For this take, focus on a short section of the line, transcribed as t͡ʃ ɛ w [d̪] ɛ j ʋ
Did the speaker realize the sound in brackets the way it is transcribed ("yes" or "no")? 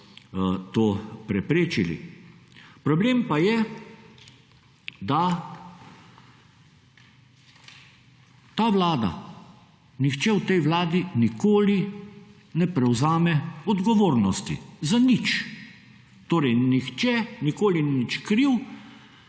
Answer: no